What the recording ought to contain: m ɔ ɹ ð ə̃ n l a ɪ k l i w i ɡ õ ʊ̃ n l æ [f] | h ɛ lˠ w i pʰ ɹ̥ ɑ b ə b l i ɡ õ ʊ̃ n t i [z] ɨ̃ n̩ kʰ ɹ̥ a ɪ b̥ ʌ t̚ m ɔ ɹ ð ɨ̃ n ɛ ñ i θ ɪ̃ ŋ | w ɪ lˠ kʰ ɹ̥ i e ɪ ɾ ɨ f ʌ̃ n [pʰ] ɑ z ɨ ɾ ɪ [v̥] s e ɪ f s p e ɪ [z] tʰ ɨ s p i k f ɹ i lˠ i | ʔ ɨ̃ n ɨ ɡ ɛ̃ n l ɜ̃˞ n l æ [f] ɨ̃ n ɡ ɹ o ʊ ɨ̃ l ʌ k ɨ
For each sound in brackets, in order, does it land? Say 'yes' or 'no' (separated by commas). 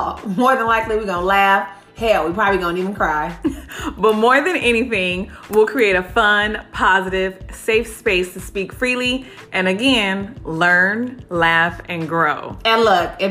yes, no, yes, yes, no, yes